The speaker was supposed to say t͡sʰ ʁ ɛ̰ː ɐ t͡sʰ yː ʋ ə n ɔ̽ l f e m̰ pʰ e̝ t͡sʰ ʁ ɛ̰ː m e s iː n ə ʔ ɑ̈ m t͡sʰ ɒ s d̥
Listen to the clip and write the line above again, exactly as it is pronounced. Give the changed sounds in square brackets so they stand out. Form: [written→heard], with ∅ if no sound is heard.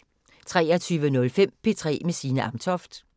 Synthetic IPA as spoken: t͡sʰ ʁ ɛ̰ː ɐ t͡sʰ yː ʋ ə n ɔ̽ l f e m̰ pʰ e̝ t͡sʰ ʁ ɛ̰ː m e s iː n ə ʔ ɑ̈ m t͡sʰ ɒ [s→f] d̥

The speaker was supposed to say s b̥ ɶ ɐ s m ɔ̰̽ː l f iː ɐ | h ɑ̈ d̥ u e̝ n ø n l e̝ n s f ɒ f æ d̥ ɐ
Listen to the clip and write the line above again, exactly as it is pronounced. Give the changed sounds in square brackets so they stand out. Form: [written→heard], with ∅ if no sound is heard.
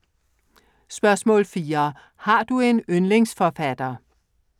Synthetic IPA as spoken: s b̥ ɶ ɐ s m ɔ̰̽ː l f iː ɐ | h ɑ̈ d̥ u e̝ n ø n l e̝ [n→ŋ] s f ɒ f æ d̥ ɐ

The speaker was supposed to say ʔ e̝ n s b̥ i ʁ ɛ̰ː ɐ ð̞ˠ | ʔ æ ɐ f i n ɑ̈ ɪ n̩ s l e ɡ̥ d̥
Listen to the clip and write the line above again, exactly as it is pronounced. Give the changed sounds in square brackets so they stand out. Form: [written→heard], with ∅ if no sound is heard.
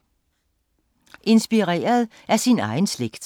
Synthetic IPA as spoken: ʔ e̝ n s b̥ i ʁ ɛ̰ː ɐ ð̞ˠ | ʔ æ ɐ [f→s] i n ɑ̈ ɪ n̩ s l e ɡ̥ d̥

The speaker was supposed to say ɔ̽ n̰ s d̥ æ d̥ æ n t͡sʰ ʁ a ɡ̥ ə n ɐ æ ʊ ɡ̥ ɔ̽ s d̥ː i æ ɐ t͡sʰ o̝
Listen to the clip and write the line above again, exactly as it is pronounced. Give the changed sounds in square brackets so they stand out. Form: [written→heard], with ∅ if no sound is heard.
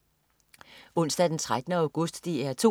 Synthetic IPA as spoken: ɔ̽ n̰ s d̥ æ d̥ [æ→e] n t͡sʰ ʁ a [ɡ̥→d̥] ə n [ɐ→ə] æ ʊ ɡ̥ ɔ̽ s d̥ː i æ ɐ t͡sʰ o̝

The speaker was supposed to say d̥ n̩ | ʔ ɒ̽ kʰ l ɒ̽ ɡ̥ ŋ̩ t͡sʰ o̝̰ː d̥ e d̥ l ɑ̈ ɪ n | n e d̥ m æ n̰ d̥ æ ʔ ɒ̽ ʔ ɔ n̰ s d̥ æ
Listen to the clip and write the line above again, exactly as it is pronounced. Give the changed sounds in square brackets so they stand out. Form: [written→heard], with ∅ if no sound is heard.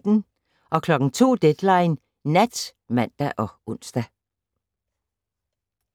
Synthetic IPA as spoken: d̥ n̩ | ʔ ɒ̽ kʰ l ɒ̽ ɡ̥ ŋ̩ t͡sʰ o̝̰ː d̥ e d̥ l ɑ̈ ɪ n | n [e→æ] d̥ m æ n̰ d̥ æ ʔ ɒ̽ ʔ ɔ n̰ s d̥ æ

